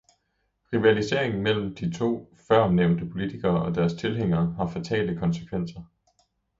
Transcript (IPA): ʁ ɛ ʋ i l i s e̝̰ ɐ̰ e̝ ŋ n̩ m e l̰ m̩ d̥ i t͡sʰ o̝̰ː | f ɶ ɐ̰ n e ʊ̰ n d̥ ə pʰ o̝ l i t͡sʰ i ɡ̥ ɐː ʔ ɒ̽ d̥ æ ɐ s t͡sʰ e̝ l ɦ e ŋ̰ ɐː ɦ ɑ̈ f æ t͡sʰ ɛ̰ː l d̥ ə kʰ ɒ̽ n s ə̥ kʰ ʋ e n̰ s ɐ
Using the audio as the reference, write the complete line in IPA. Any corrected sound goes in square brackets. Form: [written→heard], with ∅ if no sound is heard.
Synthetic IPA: ʁ [ɛ→i] ʋ [i→æ] l i s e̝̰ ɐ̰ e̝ ŋ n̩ m e l̰ m̩ d̥ i t͡sʰ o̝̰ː | f ɶ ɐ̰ n e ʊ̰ n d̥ ə pʰ o̝ l i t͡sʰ i ɡ̥ ɐː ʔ ɒ̽ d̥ æ ɐ s t͡sʰ e̝ l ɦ e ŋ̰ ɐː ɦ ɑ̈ f æ t͡sʰ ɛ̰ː l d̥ ə kʰ ɒ̽ n s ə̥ kʰ ʋ e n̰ s ɐ